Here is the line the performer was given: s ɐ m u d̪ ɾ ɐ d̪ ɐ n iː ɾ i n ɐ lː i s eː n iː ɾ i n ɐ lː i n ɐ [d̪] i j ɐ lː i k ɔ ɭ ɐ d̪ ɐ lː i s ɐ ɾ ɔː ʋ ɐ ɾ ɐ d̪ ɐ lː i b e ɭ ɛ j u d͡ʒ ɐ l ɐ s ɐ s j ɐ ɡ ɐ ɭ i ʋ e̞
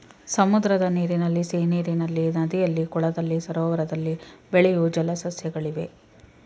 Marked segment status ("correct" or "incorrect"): correct